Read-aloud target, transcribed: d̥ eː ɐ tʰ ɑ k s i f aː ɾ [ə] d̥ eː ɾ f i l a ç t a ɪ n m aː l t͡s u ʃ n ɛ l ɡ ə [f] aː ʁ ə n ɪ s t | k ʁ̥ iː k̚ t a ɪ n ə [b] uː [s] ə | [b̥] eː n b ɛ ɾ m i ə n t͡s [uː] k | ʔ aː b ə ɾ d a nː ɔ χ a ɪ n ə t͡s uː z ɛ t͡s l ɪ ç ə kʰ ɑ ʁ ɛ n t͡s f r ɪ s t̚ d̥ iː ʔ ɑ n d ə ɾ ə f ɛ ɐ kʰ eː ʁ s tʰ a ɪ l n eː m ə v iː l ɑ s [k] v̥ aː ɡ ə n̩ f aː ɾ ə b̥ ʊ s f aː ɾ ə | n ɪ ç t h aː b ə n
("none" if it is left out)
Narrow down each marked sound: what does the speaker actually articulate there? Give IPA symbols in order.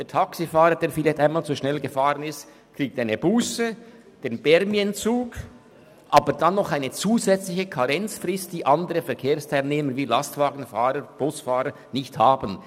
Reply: ə, f, b, s, d̥, uː, t

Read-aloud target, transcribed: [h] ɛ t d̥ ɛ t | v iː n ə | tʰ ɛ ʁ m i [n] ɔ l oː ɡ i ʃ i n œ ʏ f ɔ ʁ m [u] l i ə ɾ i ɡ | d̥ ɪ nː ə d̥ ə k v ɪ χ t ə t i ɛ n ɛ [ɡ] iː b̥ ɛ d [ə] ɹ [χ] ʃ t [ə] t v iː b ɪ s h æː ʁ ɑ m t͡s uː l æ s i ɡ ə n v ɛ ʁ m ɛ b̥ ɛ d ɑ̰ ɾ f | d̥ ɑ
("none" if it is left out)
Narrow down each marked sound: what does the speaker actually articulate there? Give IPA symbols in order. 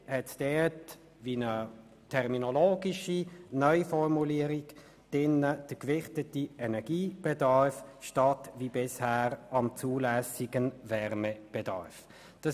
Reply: h, n, u, ɡ, ɑ, f, ɑ

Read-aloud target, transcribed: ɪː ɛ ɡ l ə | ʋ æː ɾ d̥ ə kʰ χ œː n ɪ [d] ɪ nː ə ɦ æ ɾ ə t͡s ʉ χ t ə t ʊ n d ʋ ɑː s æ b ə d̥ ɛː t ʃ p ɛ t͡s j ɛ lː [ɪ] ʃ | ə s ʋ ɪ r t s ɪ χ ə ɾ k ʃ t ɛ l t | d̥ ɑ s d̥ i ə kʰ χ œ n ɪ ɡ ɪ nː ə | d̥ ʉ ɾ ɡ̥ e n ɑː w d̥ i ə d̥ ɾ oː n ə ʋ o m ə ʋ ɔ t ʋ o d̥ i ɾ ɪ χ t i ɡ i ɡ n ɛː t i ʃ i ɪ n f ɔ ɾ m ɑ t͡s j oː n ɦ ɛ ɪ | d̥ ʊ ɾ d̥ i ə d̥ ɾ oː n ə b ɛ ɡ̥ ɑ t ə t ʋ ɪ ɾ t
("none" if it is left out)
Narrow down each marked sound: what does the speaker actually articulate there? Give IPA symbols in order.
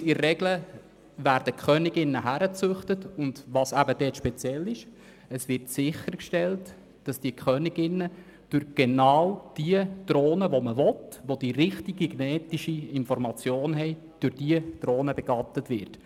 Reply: ɡ, ɪ

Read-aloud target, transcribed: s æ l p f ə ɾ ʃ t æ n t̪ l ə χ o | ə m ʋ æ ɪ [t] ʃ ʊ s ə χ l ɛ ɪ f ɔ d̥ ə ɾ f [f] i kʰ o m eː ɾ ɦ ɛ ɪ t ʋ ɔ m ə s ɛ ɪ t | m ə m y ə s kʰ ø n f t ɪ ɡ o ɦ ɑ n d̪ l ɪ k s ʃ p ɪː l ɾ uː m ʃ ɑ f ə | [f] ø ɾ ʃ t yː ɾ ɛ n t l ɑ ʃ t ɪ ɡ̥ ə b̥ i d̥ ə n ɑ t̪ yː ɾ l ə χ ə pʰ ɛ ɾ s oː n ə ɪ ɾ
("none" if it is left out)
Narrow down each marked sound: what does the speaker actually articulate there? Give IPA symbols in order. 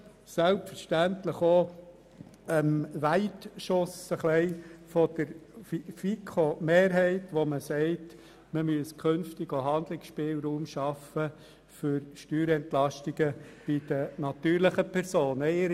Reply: t, f, f

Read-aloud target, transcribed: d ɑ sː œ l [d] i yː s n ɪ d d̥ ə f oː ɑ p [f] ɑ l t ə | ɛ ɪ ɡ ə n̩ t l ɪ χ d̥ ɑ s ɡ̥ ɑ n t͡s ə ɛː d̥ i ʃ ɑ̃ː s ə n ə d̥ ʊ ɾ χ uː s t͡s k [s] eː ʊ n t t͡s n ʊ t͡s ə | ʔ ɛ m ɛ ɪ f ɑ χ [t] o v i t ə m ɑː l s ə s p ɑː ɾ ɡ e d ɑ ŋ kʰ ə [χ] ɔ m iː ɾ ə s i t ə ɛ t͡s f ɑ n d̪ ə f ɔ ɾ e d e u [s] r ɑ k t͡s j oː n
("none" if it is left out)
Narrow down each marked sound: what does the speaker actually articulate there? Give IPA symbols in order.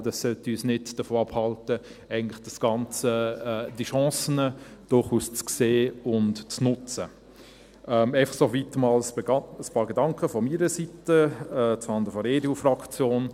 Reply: t, h, s, s, f, f

